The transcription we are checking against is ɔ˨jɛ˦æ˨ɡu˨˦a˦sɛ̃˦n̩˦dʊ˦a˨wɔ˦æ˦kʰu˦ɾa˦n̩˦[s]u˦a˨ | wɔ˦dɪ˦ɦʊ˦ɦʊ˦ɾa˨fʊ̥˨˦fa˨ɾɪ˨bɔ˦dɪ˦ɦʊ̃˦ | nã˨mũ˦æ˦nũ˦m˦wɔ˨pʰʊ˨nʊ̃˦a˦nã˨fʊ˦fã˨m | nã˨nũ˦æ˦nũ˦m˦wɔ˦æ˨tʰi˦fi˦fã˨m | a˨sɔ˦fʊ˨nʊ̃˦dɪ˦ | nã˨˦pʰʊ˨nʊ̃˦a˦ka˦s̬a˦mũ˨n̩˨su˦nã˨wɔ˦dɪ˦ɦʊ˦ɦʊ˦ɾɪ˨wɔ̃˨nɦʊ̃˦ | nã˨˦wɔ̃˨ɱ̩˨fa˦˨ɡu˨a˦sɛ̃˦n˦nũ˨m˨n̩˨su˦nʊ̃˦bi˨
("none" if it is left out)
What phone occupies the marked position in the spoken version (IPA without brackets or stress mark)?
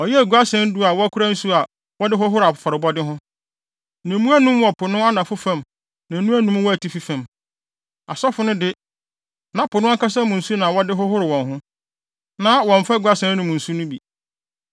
s